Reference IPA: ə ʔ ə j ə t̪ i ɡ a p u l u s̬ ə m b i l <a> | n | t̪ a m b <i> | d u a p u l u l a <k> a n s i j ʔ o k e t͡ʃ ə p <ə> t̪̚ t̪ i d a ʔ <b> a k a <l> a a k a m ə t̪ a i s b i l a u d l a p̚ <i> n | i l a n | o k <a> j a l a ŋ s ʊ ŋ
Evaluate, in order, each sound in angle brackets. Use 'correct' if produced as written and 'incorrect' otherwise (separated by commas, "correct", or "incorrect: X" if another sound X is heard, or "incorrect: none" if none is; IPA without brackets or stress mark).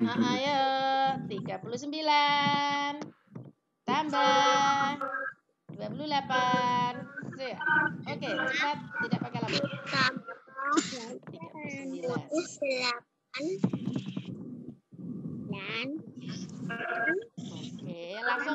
correct, incorrect: a, incorrect: p, incorrect: a, incorrect: p, correct, incorrect: a, incorrect: e